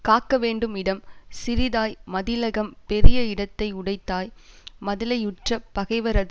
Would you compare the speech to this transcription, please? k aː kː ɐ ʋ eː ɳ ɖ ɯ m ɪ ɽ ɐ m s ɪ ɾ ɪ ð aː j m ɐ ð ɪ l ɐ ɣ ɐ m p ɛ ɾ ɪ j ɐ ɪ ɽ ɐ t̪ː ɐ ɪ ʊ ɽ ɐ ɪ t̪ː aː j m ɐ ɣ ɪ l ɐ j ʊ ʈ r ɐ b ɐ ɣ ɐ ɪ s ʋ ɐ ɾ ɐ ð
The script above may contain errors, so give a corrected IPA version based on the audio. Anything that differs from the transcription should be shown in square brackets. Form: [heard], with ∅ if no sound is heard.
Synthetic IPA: k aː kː ɐ ʋ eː ɳ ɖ ɯ m ɪ ɽ ɐ m s ɪ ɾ ɪ ð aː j m ɐ ð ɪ l ɐ ɣ ɐ m p ɛ ɾ ɪ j ɐ ɪ ɽ ɐ t̪ː ɐ ɪ ʊ ɽ ɐ ɪ t̪ː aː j m ɐ [ð] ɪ l ɐ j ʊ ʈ r ɐ [p] ɐ ɣ ɐ ɪ [∅] ʋ ɐ ɾ ɐ ð